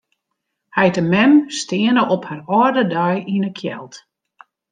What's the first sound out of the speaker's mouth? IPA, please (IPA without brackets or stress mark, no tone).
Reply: h